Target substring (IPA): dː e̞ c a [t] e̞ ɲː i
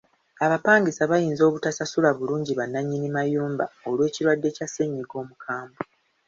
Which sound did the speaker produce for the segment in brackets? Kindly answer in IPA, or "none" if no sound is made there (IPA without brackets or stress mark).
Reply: s